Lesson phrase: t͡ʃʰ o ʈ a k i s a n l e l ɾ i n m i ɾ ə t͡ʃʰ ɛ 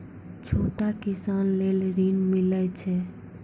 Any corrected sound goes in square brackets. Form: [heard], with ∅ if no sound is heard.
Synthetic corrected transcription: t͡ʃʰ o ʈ a k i s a n l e l ɾ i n m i [l] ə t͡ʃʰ ɛ